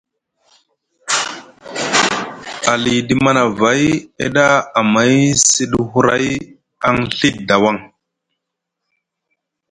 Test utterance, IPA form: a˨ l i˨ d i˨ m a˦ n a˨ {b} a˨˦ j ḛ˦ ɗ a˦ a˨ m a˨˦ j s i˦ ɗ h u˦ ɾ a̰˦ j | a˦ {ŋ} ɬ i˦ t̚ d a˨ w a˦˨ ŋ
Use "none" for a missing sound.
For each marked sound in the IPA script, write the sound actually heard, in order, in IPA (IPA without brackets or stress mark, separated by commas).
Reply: v, ŋ